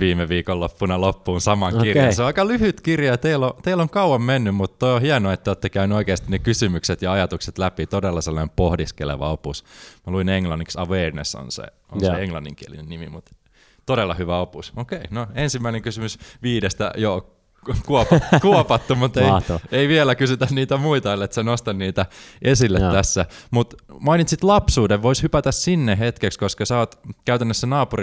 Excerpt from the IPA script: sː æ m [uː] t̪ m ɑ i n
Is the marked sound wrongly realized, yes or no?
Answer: yes